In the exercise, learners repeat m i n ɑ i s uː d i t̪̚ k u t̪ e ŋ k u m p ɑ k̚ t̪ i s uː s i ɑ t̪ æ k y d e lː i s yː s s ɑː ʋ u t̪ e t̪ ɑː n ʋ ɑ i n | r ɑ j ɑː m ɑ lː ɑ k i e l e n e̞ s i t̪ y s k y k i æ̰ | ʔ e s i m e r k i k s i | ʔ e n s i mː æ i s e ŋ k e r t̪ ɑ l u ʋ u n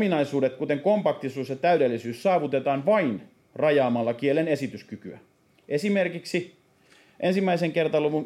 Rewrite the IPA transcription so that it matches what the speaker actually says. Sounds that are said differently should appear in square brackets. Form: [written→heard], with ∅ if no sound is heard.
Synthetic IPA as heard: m i n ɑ i s uː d [i→e] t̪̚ k u t̪ e ŋ k [u→o] m p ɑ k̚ t̪ i s uː s [i→j] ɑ t̪ æ [k→∅] y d e lː i s yː s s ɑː ʋ u t̪ e t̪ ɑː n ʋ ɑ i n | r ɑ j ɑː m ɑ lː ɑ k i e l e n e̞ s i t̪ y s k y k [i→y] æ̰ | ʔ e s i m e r k i k s i | ʔ e n s i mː æ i s e ŋ k e r t̪ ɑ l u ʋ u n